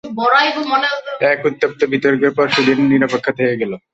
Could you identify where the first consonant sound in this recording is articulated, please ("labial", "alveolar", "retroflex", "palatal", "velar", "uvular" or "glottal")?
labial